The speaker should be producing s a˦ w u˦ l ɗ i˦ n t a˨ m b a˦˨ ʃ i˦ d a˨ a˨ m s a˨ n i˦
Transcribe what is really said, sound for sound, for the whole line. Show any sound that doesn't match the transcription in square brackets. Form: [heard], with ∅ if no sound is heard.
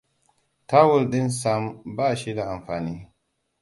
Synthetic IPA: [t] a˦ w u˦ l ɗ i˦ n [s] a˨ m b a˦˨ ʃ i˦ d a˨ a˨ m [f] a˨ n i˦